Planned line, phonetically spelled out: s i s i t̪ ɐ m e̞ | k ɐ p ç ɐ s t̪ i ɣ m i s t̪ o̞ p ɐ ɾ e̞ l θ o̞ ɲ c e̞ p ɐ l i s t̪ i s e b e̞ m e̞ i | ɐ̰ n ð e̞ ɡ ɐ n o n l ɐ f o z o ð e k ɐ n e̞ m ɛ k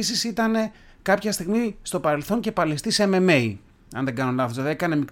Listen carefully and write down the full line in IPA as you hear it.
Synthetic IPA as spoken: s i s i t̪ ɐ n e̞ | k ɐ p ç ɐ s t̪ i ɣ m i s t̪ o̞ p ɐ ɾ e̞ l θ o̞ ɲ c e̞ p ɐ l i s t̪ i s e m e̞ m e̞ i | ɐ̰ n ð e̞ ɡ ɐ n o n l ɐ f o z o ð e k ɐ n e̞ m i k